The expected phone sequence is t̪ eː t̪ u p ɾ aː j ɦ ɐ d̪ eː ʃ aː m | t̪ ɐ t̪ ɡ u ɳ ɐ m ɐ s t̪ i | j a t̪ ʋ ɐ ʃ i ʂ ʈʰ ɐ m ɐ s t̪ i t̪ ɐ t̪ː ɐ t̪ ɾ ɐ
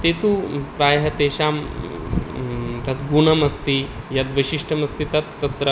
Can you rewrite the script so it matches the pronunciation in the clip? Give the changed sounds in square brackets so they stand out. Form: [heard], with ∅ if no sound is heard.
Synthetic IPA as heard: t̪ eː t̪ u p ɾ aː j ɦ ɐ [t̪] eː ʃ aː m | t̪ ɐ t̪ ɡ u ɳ ɐ m ɐ s t̪ i | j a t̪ ʋ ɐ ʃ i ʂ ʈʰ ɐ m ɐ s t̪ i t̪ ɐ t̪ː ɐ t̪ ɾ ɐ

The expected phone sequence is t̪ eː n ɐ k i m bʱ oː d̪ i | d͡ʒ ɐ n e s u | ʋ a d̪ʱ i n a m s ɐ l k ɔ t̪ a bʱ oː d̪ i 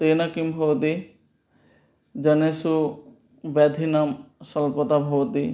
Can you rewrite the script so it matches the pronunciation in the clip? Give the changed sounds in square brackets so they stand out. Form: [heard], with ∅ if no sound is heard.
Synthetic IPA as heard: t̪ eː n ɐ k i m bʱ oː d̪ i | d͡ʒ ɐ n e s u | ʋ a d̪ʱ i n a m s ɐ l [p] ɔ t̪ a bʱ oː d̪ i

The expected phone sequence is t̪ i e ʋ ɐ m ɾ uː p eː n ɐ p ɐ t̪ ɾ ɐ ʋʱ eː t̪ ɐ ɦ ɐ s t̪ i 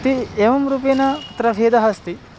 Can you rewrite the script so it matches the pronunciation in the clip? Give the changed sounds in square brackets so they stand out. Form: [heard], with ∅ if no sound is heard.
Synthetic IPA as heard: t̪ i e ʋ ɐ m ɾ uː p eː n ɐ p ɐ t̪ ɾ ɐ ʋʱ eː [d̪] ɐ ɦ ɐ s t̪ i

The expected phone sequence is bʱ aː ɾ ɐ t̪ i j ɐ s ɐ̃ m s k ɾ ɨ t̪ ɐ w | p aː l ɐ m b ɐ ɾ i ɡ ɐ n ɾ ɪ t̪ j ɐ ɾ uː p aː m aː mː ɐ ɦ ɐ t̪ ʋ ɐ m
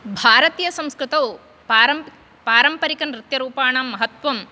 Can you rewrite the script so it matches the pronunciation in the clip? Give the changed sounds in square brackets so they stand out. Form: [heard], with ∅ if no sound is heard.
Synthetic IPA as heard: bʱ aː ɾ ɐ t̪ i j ɐ s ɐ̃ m s k ɾ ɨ t̪ ɐ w | p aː [ɾ] ɐ m [p] ɐ ɾ i [k] ɐ n ɾ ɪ t̪ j ɐ ɾ uː p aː [ɳ] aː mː ɐ ɦ ɐ t̪ ʋ ɐ m

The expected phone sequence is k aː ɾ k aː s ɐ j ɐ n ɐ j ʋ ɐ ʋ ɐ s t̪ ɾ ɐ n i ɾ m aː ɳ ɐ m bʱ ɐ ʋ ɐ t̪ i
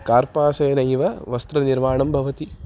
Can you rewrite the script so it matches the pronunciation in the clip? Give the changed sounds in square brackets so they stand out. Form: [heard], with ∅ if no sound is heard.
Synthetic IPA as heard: k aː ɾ [p] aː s ɐ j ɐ n ɐ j ʋ ɐ ʋ ɐ s t̪ ɾ ɐ n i ɾ m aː ɳ ɐ m bʱ ɐ ʋ ɐ t̪ i

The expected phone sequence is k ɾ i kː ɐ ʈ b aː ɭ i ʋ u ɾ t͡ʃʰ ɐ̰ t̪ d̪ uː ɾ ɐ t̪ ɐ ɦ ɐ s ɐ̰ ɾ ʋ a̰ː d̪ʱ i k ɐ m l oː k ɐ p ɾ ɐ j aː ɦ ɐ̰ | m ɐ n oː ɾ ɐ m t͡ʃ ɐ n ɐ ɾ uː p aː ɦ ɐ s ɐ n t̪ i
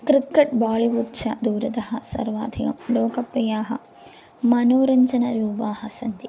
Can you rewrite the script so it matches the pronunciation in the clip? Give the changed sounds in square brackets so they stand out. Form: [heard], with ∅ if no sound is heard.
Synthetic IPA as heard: k ɾ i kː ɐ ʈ b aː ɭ i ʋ u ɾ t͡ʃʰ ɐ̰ [∅] d̪ uː ɾ ɐ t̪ ɐ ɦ ɐ s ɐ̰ ɾ ʋ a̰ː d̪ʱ i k ɐ m l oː k ɐ p ɾ ɐ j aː ɦ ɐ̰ | m ɐ n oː ɾ ɐ [ɲ] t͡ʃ ɐ n ɐ ɾ uː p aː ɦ ɐ s ɐ n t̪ i

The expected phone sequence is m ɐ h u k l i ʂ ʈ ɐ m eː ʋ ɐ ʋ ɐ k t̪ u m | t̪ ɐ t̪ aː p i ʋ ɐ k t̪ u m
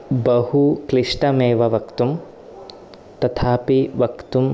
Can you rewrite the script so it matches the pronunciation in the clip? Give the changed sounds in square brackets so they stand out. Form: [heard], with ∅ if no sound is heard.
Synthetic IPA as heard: [b] ɐ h u k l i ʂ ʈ ɐ m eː ʋ ɐ ʋ ɐ k t̪ u m | t̪ ɐ [t̪ʰ] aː p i ʋ ɐ k t̪ u m

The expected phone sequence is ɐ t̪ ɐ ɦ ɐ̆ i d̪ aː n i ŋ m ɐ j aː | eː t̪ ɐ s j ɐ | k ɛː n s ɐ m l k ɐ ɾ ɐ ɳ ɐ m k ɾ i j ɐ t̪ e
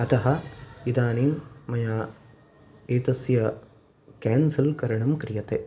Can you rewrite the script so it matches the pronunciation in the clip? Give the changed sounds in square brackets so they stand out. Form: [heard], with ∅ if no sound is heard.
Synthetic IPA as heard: ɐ t̪ ɐ ɦ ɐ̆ i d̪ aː n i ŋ m ɐ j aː | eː t̪ ɐ s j ɐ | k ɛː n s ɐ [∅] l k ɐ ɾ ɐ ɳ ɐ m k ɾ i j ɐ t̪ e

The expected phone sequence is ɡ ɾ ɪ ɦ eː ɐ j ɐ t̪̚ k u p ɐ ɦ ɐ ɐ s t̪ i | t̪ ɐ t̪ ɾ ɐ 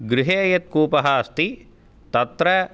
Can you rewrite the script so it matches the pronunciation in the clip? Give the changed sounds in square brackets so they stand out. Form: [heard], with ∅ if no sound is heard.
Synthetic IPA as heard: ɡ ɾ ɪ ɦ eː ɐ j ɐ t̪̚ k [uː] p ɐ ɦ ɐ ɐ s t̪ i | t̪ ɐ t̪ ɾ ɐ

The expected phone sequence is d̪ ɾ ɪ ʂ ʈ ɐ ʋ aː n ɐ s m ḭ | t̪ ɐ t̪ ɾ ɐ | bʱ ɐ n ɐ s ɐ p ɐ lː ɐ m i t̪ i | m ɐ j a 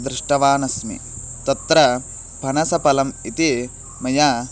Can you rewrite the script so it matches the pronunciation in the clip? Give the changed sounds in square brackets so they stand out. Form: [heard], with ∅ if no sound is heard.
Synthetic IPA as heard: d̪ ɾ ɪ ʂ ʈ ɐ ʋ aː n ɐ s m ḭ | t̪ ɐ t̪ ɾ ɐ | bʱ ɐ n ɐ s ɐ p ɐ [l] ɐ m i t̪ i | m ɐ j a

